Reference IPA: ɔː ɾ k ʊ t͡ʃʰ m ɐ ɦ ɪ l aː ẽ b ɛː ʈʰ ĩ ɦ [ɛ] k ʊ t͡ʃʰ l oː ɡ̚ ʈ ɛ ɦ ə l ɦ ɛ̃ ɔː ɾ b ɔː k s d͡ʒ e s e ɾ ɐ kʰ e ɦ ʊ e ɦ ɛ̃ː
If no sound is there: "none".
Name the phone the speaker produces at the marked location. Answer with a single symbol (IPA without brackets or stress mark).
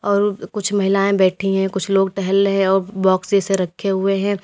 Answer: ɛ̃